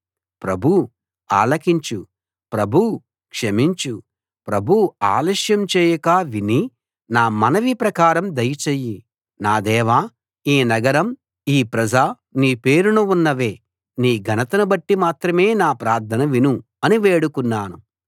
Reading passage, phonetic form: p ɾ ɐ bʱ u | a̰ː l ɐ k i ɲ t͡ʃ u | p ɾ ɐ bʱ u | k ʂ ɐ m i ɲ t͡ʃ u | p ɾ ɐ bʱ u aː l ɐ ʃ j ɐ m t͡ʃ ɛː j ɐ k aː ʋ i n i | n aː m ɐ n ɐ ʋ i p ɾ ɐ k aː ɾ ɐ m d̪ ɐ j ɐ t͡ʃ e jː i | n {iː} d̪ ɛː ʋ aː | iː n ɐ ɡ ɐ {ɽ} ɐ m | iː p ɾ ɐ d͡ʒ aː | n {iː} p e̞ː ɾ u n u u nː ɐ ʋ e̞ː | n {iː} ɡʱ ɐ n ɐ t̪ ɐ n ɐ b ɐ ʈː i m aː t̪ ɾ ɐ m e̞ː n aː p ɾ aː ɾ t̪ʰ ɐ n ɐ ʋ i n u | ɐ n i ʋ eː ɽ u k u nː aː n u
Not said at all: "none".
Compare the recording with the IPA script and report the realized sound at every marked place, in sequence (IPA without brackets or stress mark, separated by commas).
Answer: aː, ɾ, iː, iː